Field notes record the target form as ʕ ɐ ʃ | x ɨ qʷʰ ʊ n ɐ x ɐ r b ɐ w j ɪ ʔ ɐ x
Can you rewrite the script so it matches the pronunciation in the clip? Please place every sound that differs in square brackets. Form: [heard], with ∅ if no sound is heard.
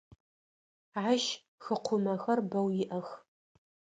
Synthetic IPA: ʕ [a] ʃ | x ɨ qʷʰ ʊ [m] ɐ x ɐ r b ɐ w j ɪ ʔ ɐ x